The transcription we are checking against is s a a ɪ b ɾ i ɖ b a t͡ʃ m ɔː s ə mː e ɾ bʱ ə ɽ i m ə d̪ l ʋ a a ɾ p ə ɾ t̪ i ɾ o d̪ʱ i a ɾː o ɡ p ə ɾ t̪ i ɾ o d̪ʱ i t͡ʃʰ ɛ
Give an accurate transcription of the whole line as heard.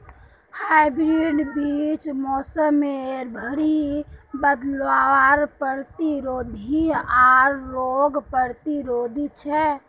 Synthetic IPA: h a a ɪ b ɾ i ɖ b i t͡ʃ m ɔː s ə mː e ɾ bʱ ə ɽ i b ə d̪ l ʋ a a ɾ p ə ɾ t̪ i ɾ o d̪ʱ i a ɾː o ɡ p ə ɾ t̪ i ɾ o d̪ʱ i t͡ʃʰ ɛ